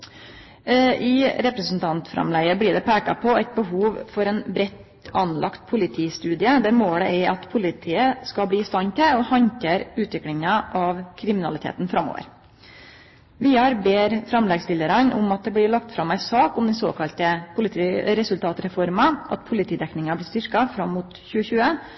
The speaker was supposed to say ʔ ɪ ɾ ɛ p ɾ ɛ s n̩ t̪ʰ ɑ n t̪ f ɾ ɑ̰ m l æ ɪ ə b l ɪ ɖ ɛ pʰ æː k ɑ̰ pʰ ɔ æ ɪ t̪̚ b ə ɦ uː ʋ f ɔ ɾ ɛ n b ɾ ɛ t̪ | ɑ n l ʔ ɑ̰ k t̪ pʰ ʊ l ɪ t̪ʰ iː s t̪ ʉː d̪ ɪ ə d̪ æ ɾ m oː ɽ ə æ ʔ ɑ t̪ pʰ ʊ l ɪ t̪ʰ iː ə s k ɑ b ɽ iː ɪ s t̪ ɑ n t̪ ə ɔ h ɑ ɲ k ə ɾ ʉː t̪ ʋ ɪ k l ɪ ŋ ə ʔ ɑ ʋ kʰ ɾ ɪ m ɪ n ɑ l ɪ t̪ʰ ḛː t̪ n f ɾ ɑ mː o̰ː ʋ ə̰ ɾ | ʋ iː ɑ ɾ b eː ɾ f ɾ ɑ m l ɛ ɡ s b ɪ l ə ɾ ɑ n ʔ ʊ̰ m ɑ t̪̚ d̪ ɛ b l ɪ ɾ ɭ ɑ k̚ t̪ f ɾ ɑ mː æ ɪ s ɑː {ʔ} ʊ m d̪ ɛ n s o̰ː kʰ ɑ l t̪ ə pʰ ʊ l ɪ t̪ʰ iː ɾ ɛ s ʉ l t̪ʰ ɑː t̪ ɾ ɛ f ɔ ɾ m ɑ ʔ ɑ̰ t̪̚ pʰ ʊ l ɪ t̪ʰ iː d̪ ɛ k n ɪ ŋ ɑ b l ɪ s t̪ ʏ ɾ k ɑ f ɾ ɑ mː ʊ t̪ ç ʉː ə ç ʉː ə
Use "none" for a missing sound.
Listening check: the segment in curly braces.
k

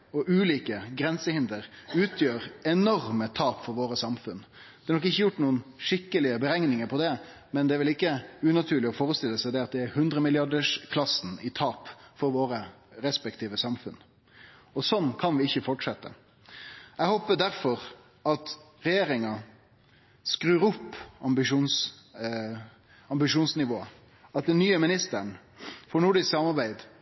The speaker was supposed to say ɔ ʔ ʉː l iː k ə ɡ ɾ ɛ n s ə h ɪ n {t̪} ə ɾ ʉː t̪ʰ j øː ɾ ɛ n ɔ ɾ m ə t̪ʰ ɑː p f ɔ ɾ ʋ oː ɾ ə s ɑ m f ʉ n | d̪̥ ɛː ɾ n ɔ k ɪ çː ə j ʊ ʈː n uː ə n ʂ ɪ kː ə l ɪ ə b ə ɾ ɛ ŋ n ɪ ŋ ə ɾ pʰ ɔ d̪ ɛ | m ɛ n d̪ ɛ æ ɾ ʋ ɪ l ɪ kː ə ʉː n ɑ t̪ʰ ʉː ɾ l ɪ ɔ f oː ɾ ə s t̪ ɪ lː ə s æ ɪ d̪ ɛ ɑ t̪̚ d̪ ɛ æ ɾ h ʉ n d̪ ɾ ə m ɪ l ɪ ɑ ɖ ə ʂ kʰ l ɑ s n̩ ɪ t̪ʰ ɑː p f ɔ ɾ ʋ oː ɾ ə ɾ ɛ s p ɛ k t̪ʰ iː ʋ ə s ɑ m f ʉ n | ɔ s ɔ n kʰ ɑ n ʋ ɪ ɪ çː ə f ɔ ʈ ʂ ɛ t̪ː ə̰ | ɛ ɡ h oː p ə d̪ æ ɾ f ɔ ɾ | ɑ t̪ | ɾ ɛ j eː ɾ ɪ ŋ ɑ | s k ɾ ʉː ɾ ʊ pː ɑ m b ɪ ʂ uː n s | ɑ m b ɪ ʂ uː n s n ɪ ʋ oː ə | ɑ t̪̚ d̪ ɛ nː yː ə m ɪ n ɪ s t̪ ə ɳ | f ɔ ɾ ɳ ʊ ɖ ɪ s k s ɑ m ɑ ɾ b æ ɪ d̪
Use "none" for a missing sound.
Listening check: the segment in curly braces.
d̪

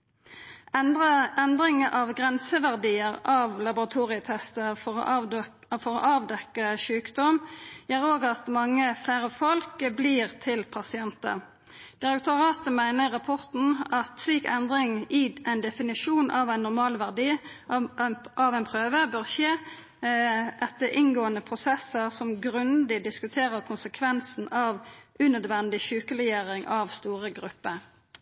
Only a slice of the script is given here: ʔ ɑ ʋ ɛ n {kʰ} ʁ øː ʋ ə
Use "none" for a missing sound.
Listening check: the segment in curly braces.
pʰ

